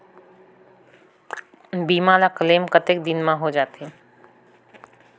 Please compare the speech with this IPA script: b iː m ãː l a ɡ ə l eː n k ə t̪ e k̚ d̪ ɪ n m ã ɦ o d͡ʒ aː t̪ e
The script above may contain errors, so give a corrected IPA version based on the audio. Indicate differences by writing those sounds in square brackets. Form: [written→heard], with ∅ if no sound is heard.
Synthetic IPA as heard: b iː m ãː l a [ɡ→k] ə l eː [n→m] k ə t̪ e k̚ d̪ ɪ n m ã ɦ o d͡ʒ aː t̪ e